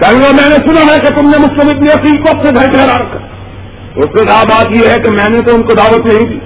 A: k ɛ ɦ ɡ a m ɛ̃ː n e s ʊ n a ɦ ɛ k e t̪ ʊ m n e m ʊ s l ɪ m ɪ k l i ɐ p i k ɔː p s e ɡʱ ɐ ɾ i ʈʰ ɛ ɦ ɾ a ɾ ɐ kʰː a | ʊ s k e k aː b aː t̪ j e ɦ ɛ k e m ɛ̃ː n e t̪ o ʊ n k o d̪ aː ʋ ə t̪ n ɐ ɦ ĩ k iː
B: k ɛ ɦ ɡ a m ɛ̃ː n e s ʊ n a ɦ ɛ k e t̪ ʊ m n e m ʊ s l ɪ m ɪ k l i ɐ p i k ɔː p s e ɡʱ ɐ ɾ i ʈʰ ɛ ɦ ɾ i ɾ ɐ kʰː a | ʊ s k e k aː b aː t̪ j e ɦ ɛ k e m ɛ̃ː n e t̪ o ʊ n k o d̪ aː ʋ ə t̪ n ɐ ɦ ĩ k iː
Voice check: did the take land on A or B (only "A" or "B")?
A